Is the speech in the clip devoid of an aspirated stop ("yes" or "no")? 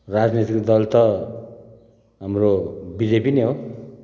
yes